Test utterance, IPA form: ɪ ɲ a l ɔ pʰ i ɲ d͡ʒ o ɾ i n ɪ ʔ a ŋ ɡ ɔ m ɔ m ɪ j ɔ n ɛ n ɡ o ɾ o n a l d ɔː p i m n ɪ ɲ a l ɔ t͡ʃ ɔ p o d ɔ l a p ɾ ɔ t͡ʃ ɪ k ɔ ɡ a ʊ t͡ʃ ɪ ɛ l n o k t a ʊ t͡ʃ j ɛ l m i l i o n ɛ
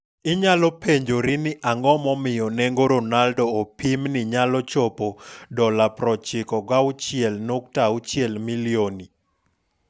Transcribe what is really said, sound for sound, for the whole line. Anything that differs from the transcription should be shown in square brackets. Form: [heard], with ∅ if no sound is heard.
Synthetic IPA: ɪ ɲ a l ɔ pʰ [e] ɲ d͡ʒ o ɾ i n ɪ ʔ a ŋ ɡ ɔ m ɔ m ɪ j ɔ n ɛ [ŋ] ɡ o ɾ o n a l d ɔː p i m n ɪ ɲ a l ɔ t͡ʃ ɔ p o d ɔ l a p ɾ ɔ t͡ʃ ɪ k ɔ ɡ a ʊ t͡ʃ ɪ ɛ l n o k t a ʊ t͡ʃ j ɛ l m i l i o n [i]